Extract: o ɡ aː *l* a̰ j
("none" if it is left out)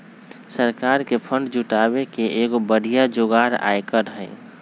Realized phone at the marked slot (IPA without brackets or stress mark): ɾ